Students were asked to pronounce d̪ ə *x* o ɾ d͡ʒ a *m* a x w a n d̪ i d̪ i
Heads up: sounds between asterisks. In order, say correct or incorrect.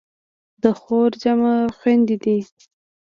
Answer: correct, correct

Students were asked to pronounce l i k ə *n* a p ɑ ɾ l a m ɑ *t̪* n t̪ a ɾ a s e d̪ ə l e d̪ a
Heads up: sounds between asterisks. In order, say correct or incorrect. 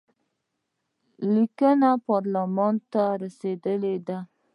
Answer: correct, incorrect

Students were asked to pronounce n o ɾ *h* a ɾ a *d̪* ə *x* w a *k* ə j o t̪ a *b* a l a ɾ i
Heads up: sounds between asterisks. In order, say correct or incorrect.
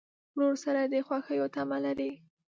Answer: incorrect, correct, correct, incorrect, incorrect

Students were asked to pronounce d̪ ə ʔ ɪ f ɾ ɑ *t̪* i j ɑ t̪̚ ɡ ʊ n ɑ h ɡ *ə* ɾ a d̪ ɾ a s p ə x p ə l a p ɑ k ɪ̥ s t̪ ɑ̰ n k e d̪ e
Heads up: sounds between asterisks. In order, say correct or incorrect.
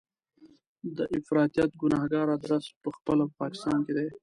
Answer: correct, incorrect

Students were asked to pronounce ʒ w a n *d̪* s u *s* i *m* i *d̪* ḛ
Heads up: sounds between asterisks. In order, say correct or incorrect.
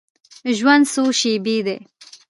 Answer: correct, incorrect, incorrect, correct

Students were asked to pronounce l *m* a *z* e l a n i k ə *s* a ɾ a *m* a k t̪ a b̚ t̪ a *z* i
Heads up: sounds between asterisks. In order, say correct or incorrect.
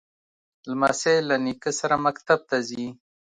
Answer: correct, incorrect, correct, correct, correct

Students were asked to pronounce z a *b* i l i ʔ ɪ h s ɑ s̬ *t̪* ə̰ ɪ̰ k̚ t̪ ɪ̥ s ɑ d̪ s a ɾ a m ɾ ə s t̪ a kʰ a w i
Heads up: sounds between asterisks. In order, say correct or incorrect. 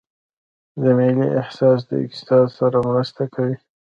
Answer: incorrect, incorrect

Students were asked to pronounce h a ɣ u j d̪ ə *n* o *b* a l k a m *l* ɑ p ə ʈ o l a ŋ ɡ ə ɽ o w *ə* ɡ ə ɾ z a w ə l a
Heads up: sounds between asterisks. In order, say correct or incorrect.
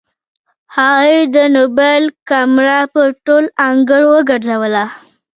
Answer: correct, correct, incorrect, correct

